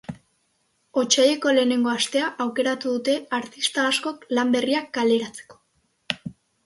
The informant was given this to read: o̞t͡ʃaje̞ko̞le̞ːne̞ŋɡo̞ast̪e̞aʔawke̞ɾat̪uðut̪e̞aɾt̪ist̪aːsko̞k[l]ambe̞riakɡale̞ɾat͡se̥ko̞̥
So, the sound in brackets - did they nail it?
yes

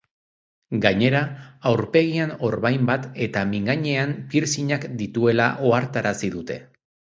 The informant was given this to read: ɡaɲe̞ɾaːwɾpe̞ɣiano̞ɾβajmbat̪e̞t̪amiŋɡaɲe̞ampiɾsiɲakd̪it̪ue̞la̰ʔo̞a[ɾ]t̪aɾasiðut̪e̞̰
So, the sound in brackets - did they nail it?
yes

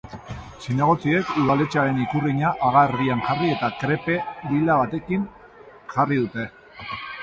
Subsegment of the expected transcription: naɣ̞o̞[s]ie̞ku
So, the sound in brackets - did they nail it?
no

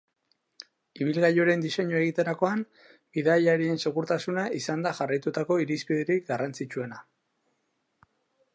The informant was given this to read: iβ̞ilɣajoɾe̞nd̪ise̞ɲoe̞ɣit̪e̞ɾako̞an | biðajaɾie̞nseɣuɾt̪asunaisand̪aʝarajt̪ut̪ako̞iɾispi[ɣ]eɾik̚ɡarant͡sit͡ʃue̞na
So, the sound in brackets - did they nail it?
no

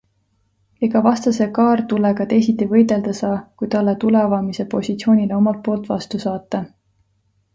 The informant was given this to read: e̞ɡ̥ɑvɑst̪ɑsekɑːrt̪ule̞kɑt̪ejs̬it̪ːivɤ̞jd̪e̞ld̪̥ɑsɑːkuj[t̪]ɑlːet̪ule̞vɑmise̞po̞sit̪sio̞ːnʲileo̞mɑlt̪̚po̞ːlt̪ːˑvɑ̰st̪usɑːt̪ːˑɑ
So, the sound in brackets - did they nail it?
yes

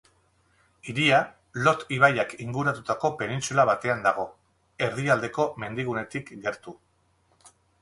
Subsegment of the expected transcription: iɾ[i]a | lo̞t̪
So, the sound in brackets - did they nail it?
yes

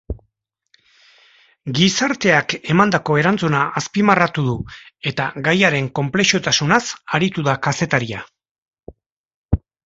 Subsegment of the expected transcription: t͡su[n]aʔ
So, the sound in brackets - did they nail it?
yes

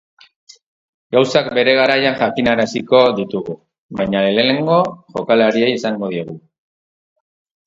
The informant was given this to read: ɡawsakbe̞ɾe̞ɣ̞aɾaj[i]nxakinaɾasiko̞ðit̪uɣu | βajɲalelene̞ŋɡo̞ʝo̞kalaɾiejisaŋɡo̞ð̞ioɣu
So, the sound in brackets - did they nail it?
no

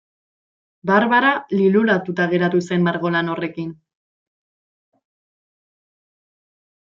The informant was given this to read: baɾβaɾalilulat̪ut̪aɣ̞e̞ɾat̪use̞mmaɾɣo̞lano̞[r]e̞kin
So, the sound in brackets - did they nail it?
yes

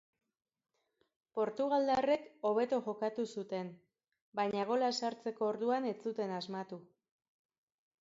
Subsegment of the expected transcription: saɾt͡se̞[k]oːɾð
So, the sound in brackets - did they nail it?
yes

